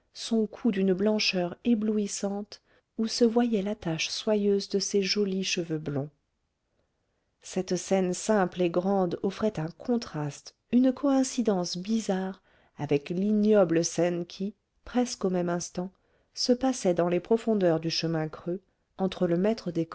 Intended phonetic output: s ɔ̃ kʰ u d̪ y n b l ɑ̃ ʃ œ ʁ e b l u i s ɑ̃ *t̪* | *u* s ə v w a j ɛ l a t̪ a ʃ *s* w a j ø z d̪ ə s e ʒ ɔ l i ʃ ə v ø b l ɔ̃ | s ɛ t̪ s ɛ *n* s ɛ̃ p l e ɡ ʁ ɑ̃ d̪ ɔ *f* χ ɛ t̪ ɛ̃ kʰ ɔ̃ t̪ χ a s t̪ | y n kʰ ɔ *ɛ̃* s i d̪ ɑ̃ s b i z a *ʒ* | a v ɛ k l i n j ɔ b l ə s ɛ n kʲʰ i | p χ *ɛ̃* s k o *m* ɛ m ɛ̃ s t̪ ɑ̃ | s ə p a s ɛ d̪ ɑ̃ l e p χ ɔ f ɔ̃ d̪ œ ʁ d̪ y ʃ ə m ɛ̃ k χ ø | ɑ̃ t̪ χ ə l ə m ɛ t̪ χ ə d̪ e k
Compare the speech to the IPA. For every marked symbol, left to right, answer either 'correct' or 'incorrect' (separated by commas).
correct, correct, correct, correct, correct, correct, incorrect, incorrect, correct